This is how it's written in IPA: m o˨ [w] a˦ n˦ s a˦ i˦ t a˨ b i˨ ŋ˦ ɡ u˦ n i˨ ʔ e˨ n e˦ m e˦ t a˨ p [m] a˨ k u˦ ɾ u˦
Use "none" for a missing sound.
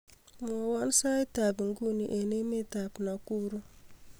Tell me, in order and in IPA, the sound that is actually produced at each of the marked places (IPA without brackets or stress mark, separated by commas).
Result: w, n